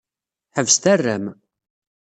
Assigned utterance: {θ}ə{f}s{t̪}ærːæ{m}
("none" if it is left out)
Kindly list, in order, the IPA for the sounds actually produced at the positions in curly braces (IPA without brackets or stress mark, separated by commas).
ħ, v, t̪, m